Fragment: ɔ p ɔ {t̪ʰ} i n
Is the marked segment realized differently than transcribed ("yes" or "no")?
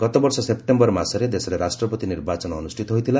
yes